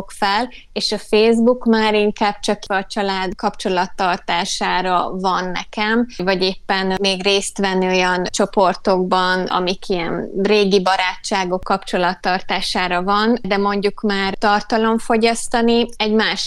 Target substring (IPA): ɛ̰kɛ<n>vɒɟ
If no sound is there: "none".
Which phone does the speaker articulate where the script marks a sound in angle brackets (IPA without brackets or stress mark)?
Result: m